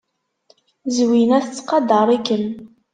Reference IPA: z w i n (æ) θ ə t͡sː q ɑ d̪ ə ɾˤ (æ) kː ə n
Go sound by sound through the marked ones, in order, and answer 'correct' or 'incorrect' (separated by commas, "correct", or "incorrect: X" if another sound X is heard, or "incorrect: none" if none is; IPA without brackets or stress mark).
correct, incorrect: i